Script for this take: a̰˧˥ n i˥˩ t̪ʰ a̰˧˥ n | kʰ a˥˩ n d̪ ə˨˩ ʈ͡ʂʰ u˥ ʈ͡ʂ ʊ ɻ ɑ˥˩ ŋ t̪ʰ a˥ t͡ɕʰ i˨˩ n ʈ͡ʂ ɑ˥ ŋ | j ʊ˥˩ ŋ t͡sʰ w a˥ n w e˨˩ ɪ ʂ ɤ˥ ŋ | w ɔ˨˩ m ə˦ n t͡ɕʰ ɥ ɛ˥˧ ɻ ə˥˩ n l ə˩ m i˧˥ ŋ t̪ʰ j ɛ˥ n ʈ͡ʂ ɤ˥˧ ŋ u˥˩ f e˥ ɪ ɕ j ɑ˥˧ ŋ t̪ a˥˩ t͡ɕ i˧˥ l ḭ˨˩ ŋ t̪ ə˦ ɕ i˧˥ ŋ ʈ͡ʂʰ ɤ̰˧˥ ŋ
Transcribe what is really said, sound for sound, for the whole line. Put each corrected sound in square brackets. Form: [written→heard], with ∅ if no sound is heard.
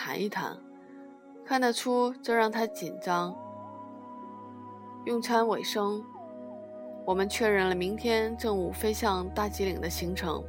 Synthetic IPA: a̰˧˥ n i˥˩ t̪ʰ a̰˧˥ n | kʰ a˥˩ n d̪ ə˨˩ ʈ͡ʂʰ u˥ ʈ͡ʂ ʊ ɻ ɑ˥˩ ŋ t̪ʰ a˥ [t͡ɕʰ→t͡ɕ] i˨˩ n ʈ͡ʂ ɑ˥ ŋ | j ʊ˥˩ ŋ t͡sʰ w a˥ n w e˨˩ ɪ ʂ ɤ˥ ŋ | w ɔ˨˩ m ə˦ n t͡ɕʰ ɥ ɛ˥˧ ɻ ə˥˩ n l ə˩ m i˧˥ ŋ t̪ʰ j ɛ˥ n ʈ͡ʂ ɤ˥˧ ŋ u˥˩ f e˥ ɪ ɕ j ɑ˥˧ ŋ t̪ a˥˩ t͡ɕ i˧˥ l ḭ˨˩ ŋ [t̪→d̪] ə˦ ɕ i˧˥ ŋ ʈ͡ʂʰ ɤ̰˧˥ ŋ